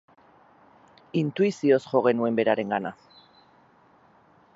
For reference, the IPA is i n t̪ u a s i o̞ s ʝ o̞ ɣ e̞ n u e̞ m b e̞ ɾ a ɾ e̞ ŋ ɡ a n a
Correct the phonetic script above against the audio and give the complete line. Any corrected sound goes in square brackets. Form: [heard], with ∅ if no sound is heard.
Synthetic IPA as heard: i n t̪ u [i] s i o̞ s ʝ o̞ ɣ e̞ n u e̞ m b e̞ ɾ a ɾ e̞ ŋ ɡ a n a

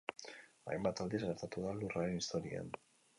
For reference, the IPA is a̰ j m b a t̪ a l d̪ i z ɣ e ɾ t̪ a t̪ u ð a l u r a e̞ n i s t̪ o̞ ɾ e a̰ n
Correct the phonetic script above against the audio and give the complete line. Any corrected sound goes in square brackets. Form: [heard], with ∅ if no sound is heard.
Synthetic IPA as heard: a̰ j m b a t̪ a l d̪ i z ɣ e ɾ t̪ a t̪ u ð a l u r a e̞ n i s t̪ o̞ ɾ [i] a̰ n

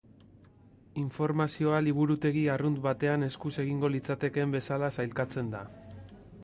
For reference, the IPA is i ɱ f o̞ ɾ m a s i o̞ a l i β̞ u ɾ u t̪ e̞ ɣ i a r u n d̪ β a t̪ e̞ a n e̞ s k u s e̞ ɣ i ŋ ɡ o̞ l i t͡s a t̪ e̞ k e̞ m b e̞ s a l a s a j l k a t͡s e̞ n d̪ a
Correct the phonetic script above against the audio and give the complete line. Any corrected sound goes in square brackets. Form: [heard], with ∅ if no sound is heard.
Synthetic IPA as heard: i ɱ f o̞ ɾ m a s i o̞ a l i β̞ u ɾ u t̪ e̞ ɣ i a r u n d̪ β a t̪ e̞ a n e̞ s k u s e̞ ɣ i ŋ ɡ o̞ l i t͡s a t̪ e̞ k e̞ m b e̞ s a l a s a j l k a t͡s e̞ n d̪ a

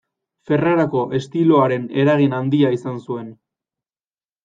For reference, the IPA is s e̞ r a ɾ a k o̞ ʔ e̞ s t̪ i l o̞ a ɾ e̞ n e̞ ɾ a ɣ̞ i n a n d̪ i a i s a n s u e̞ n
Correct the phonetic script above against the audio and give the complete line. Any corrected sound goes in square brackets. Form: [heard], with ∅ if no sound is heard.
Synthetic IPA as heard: [f] e̞ r a ɾ a k o̞ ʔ e̞ s t̪ i l o̞ a ɾ e̞ n e̞ ɾ a ɣ̞ i n a n d̪ i a i s a n s u e̞ n

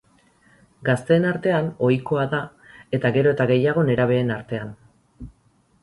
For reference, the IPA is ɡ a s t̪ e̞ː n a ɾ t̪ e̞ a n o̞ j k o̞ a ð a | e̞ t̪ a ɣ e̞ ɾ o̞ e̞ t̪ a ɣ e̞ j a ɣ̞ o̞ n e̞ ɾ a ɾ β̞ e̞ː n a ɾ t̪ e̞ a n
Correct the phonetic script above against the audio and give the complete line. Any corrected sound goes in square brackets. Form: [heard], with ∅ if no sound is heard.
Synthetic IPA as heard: ɡ a s t̪ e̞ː n a ɾ t̪ e̞ a n o̞ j k o̞ a ð a | e̞ t̪ a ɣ e̞ ɾ o̞ e̞ t̪ a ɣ e̞ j a ɣ̞ o̞ n e̞ ɾ a [∅] β̞ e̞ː n a ɾ t̪ e̞ a n

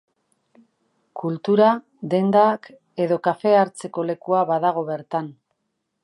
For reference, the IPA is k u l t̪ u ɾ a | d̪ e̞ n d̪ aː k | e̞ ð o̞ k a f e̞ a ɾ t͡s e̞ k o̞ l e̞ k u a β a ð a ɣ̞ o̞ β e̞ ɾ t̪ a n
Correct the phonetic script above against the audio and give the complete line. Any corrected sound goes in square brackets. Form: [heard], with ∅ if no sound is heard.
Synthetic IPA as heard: k u l t̪ u ɾ a | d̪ e̞ n d̪ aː k | e̞ ð o̞ k a f e̞ a ɾ t͡s e̞ k o̞ l e̞ k u a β a ð a ɣ̞ o̞ β e̞ ɾ t̪ a n

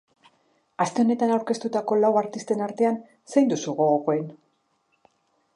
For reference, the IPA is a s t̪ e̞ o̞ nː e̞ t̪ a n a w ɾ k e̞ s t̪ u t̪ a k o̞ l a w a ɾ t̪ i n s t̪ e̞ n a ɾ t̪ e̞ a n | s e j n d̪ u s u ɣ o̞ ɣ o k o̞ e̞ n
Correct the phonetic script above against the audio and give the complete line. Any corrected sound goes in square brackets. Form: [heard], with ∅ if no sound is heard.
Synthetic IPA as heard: a s t̪ e̞ o̞ [n] e̞ t̪ a n a w ɾ k e̞ s t̪ u t̪ a k o̞ l a w a ɾ t̪ i [∅] s t̪ e̞ n a ɾ t̪ e̞ a n | s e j n d̪ u s u ɣ o̞ ɣ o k o̞ e̞ n

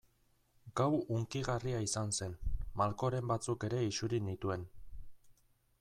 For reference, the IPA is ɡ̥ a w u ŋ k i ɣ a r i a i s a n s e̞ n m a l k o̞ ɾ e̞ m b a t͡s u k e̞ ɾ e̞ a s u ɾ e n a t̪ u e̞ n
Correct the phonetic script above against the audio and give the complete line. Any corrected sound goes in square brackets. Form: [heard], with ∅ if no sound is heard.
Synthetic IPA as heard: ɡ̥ a w u ŋ k i ɣ a r i a i s a n s e̞ n m a l k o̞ ɾ e̞ m b a t͡s u k e̞ ɾ e̞ [i] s u ɾ [i] n [i] t̪ u e̞ n

